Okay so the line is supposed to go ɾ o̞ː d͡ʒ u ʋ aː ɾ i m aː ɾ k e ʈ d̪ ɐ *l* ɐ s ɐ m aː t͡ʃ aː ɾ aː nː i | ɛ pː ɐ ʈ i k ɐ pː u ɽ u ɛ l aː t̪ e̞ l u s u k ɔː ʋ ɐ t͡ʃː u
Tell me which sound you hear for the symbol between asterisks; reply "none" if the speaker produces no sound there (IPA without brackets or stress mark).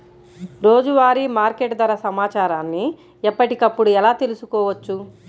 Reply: ɾ